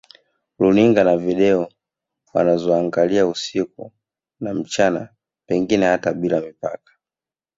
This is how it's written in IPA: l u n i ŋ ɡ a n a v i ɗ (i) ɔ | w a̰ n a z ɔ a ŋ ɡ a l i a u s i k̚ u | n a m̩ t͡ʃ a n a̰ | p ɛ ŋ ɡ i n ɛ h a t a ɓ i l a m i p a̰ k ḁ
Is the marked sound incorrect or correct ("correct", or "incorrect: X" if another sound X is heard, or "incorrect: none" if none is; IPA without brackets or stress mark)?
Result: incorrect: ɛ